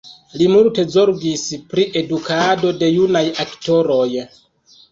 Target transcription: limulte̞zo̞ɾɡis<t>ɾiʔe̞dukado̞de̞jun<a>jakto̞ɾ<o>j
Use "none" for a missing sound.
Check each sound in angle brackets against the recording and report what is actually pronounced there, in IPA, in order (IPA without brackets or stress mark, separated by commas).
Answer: p, a, o